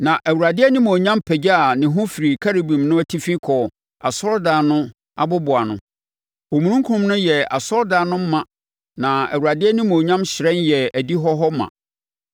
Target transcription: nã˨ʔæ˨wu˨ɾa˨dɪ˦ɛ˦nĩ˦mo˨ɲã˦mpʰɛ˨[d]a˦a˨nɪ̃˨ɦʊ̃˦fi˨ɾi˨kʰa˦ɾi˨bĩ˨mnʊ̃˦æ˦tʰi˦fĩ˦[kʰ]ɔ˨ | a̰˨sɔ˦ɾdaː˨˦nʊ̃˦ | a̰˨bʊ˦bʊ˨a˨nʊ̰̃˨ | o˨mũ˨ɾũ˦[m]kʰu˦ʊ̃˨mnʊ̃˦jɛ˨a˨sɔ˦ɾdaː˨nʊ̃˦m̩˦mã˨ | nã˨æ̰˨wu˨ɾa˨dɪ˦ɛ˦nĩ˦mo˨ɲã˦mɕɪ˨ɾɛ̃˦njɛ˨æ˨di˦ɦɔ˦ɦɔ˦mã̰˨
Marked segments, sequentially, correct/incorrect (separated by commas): incorrect, correct, incorrect